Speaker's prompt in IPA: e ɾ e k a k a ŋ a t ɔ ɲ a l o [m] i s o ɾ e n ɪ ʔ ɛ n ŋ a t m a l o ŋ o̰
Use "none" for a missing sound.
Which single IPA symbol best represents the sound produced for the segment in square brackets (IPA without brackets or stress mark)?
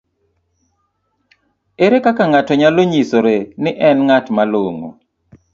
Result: ɲ